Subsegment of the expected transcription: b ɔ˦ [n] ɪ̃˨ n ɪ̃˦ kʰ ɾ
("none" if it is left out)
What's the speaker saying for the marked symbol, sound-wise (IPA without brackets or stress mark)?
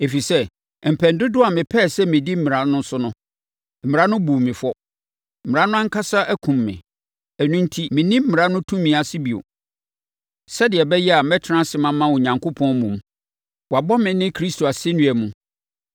m